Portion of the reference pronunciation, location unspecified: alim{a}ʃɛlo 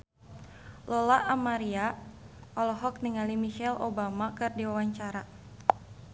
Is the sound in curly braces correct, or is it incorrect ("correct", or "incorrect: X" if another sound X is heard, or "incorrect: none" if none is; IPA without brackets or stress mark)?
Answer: incorrect: i